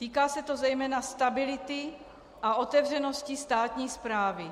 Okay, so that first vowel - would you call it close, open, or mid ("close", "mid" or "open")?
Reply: close